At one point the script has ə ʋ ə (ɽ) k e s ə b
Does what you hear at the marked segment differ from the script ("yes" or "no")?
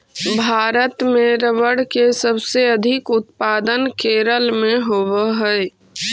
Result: no